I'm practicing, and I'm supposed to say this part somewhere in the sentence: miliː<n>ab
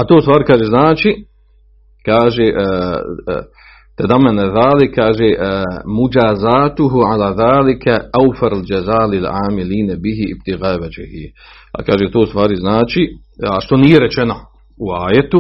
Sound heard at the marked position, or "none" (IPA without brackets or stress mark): n